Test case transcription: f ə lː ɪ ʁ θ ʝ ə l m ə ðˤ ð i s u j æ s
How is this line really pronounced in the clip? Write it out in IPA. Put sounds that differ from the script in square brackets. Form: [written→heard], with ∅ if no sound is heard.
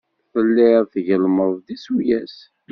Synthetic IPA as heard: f ə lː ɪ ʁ θ ʝ ə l m ə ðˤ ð i s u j æ s

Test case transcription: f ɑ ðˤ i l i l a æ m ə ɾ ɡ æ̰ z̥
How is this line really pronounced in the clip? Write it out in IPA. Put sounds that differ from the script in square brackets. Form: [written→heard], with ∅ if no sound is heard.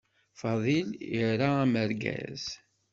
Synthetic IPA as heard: f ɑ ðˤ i l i [l→ɾ] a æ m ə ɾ ɡ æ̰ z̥

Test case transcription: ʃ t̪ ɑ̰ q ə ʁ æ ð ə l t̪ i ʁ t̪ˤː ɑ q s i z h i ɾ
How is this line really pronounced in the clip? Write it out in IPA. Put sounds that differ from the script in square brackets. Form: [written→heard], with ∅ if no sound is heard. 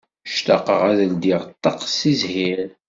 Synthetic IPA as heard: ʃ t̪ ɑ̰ q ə ʁ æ ð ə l [t̪→d̪] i ʁ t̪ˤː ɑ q s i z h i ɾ

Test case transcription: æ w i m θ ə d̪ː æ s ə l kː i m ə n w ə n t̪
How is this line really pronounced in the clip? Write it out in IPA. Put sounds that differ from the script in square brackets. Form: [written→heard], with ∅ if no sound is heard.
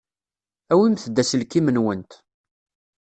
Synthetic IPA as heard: æ w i m θ ə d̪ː æ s ə l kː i m ə n w ə n t̪

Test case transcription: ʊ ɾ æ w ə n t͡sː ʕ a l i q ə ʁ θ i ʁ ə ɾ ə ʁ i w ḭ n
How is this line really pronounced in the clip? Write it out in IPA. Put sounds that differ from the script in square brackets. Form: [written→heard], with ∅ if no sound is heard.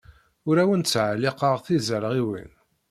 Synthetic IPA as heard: ʊ ɾ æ w ə n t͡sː ʕ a l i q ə ʁ θ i [ʁ→z] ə ɾ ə ʁ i w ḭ n

